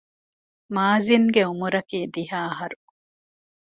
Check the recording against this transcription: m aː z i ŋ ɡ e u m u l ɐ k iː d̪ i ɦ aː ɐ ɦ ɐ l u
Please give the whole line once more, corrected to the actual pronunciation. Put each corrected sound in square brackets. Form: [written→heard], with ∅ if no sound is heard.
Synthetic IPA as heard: m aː z i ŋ ɡ e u m u [l→ɾ] ɐ k iː d̪ i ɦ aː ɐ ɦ ɐ [l→ɾ] u